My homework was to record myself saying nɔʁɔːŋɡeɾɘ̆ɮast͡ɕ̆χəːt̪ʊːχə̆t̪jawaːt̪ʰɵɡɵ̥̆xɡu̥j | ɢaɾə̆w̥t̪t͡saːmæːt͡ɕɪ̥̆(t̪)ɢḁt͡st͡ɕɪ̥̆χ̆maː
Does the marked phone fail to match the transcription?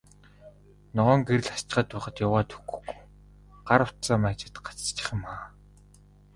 no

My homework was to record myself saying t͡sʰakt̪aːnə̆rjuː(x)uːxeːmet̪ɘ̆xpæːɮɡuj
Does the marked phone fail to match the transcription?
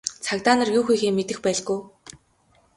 no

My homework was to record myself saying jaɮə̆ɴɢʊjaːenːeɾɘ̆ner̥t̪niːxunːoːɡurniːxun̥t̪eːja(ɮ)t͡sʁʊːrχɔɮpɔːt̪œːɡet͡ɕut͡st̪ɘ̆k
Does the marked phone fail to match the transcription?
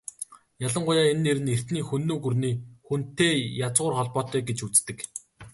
yes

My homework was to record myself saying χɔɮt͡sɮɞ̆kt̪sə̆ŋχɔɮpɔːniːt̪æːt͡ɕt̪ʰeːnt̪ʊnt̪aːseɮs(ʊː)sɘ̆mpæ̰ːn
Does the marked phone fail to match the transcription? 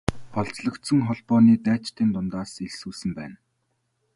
yes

